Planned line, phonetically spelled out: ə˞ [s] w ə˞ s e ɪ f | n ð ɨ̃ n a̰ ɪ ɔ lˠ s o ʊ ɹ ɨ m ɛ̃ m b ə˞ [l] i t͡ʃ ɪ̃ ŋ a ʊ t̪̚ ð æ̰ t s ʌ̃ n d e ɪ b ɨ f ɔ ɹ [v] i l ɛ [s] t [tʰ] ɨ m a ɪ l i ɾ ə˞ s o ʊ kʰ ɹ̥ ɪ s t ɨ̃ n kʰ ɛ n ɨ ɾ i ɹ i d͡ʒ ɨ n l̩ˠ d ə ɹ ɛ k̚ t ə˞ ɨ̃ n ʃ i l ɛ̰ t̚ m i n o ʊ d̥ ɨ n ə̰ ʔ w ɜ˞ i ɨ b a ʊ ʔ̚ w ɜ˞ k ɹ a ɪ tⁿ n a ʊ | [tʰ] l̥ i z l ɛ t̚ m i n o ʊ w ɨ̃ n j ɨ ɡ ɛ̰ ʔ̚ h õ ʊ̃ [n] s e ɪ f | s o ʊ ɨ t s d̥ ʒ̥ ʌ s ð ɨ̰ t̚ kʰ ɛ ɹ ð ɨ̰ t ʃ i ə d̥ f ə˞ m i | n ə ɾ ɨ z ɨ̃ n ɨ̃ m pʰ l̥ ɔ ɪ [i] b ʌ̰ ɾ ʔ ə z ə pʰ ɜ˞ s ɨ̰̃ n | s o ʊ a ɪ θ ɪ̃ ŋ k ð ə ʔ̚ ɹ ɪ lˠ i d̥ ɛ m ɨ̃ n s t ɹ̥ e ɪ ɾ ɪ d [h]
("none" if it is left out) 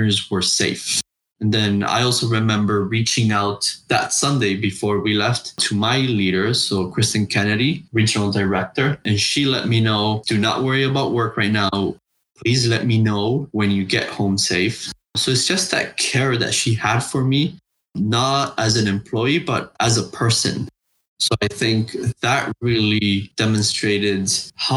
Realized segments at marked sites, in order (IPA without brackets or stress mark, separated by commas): z, ɹ, w, f, tʰ, pʰ, m, i, h